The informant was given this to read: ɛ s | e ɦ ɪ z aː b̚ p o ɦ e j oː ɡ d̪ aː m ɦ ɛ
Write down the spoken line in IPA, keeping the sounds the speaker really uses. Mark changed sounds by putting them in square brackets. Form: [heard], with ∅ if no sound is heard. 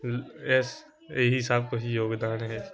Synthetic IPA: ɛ s | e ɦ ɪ [s] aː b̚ [k] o ɦ [i] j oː ɡ d̪ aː [n] ɦ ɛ